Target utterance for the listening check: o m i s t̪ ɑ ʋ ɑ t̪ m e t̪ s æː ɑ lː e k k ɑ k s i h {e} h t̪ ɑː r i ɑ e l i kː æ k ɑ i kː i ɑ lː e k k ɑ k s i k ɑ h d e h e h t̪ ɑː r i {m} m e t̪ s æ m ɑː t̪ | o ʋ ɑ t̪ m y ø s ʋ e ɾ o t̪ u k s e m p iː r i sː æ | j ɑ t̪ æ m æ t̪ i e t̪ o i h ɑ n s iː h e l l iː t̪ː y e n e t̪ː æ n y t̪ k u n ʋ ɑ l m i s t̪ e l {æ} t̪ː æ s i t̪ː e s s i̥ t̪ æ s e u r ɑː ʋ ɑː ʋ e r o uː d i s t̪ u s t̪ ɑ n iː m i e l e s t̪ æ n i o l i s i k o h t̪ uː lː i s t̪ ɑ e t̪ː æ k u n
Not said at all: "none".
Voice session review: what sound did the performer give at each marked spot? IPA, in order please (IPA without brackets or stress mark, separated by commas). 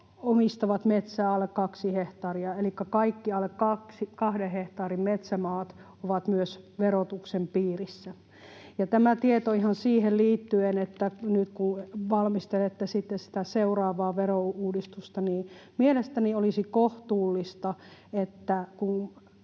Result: e, m, e